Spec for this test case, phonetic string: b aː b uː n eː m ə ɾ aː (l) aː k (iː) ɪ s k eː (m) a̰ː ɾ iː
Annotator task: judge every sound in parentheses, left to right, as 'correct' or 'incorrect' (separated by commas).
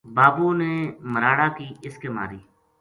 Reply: incorrect, correct, correct